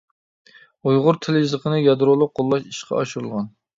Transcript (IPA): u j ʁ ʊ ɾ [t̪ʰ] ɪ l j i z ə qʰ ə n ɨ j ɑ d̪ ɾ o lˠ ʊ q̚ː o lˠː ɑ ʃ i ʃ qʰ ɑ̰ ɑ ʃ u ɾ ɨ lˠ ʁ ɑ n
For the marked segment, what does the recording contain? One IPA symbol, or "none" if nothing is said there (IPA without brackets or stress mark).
t̪ʰ